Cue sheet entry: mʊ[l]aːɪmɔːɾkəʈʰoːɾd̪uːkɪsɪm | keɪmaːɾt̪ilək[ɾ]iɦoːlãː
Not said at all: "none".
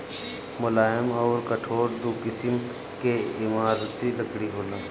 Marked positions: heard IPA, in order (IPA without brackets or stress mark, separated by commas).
l, ɽ